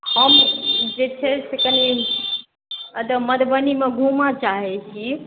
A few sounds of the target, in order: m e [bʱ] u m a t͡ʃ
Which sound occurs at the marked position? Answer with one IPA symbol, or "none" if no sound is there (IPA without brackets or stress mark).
ɡʱ